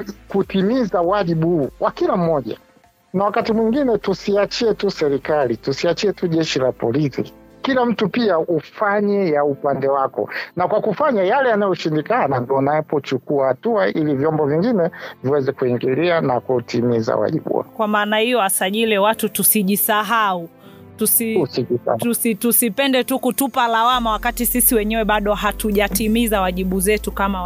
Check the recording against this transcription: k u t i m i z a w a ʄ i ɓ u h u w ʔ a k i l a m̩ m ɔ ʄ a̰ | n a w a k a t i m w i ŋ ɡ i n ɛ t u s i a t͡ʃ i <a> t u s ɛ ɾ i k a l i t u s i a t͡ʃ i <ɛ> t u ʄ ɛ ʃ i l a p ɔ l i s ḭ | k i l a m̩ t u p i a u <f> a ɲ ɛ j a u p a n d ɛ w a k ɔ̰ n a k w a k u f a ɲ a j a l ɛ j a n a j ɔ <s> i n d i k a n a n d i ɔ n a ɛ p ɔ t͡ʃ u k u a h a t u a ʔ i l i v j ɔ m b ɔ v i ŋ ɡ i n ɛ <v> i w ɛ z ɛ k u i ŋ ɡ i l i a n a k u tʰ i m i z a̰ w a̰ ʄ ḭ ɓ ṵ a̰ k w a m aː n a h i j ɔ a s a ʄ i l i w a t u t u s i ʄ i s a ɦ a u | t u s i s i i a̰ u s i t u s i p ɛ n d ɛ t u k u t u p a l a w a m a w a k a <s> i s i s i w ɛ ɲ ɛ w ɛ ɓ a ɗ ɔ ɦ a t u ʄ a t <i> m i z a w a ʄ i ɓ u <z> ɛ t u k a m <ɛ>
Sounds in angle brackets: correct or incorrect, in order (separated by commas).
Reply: incorrect, correct, correct, incorrect, correct, incorrect, correct, correct, incorrect